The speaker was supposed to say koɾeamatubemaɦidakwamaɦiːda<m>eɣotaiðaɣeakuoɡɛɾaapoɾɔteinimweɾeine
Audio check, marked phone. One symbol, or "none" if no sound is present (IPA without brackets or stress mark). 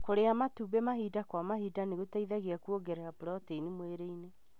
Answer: n